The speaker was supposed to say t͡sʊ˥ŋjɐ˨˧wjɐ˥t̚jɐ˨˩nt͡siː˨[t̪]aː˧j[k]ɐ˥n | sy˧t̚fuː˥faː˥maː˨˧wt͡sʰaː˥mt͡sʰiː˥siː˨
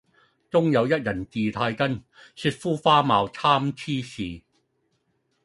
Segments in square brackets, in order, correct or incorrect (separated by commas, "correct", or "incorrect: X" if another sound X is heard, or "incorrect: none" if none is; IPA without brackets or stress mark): incorrect: t̪ʰ, correct